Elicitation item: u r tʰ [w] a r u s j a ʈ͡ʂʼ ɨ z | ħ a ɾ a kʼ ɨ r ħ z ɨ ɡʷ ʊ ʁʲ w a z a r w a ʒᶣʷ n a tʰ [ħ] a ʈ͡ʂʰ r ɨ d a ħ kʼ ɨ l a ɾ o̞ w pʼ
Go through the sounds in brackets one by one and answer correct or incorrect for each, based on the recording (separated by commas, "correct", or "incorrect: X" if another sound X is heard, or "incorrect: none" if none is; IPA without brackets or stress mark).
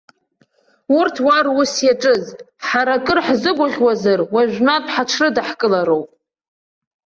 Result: correct, correct